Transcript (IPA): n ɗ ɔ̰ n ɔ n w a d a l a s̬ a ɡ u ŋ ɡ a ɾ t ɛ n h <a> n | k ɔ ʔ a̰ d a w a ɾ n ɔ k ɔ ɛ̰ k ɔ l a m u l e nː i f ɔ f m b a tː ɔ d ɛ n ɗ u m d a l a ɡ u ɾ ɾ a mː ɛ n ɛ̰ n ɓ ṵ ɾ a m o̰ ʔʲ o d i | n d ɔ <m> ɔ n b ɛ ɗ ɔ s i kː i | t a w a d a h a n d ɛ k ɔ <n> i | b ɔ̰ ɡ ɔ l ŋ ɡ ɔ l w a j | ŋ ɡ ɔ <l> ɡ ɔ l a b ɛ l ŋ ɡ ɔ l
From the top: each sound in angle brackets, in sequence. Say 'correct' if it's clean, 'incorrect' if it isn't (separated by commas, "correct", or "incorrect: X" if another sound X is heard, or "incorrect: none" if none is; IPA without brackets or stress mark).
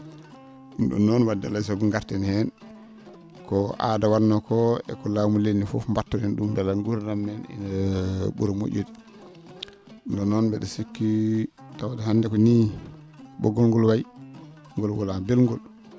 incorrect: ɛ, incorrect: n, correct, correct